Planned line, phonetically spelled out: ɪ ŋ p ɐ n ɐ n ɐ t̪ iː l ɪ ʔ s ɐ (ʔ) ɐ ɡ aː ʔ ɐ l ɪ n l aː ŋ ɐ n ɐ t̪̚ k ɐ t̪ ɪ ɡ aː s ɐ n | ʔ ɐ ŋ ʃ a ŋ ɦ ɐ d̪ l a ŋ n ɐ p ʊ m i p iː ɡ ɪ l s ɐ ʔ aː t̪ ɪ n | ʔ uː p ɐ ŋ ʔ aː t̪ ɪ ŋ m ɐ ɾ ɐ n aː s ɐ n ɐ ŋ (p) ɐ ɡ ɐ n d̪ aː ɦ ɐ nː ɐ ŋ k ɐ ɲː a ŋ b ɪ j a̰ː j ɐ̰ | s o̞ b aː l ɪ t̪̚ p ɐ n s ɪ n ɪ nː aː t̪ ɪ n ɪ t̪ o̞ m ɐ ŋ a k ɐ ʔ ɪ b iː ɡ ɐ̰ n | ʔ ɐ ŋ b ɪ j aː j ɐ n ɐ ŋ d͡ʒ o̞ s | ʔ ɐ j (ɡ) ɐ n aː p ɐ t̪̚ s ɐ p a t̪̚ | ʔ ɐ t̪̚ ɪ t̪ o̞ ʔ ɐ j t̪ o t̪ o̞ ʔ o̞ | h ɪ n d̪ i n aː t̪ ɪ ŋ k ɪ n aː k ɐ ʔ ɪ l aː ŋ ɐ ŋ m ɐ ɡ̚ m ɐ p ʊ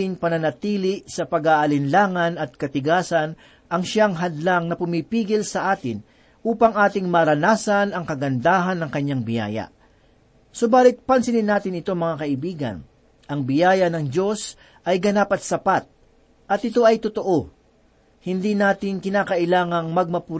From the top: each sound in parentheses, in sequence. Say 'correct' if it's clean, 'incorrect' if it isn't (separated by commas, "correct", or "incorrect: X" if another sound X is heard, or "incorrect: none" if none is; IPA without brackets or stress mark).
incorrect: p, incorrect: k, correct